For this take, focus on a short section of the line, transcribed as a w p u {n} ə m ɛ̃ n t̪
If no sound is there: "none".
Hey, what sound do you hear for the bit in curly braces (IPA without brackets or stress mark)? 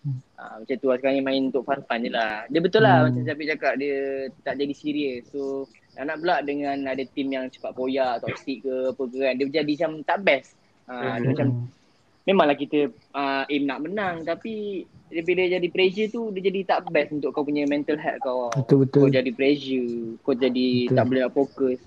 ɲ